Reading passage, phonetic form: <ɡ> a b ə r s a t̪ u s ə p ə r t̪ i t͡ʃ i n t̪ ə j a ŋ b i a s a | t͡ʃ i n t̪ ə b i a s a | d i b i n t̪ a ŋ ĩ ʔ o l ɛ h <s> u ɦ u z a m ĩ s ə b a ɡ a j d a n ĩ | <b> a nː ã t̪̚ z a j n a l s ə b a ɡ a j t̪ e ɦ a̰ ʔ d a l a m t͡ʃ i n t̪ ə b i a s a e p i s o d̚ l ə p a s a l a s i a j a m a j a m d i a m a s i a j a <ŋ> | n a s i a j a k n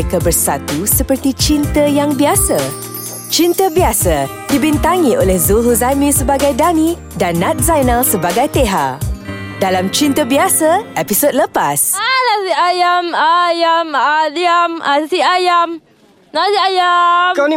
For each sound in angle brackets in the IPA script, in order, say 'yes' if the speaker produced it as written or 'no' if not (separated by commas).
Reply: no, no, no, no